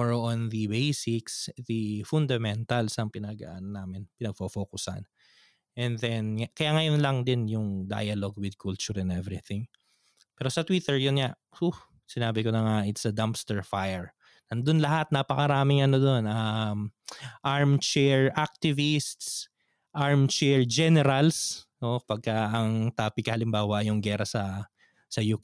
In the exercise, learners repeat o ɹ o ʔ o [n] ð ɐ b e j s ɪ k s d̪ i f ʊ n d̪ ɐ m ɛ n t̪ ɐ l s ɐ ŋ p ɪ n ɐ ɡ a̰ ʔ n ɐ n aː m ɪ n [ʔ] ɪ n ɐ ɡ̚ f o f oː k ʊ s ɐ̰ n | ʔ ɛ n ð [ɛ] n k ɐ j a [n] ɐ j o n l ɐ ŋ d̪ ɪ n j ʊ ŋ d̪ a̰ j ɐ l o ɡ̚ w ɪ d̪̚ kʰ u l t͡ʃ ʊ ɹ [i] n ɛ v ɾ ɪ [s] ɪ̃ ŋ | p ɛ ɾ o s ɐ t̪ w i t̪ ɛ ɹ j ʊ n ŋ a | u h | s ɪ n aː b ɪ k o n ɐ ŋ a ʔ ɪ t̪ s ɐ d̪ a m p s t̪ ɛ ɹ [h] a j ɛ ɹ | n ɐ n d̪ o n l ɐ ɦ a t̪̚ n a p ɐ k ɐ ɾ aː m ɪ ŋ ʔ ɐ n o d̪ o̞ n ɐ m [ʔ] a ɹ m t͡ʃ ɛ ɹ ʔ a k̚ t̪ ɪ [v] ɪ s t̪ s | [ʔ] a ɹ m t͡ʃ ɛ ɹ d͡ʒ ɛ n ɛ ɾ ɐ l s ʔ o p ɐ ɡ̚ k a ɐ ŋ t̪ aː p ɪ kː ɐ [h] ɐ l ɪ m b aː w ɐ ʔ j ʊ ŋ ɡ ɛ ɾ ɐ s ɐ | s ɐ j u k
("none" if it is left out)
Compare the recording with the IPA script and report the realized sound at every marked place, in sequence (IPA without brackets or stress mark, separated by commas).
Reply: n, p, ɛ, ŋ, ɛ, θ, f, ʔ, v, ʔ, h